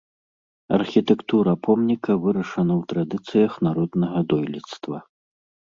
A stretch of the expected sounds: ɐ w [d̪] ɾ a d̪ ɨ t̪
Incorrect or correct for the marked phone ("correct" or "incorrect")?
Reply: incorrect